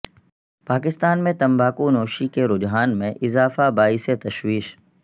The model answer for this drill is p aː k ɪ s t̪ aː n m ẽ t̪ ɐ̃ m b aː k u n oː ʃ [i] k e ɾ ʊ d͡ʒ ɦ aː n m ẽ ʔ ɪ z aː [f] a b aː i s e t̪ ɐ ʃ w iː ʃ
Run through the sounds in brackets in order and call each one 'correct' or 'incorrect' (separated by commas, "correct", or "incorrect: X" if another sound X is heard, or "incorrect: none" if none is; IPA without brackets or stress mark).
correct, correct